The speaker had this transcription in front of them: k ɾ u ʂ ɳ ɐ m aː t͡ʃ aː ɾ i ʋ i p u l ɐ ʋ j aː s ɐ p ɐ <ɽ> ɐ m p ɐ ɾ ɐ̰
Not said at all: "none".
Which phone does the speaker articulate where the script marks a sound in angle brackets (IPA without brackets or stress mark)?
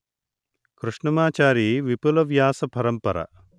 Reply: ɾ